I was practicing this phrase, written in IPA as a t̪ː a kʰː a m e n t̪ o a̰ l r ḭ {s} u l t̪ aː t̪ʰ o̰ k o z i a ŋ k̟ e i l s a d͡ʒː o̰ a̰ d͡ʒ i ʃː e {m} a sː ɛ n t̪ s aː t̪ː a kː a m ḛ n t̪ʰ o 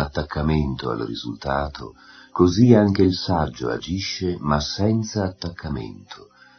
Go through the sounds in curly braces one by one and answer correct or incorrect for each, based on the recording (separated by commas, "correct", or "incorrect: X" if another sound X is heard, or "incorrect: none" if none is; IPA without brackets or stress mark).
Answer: incorrect: z, correct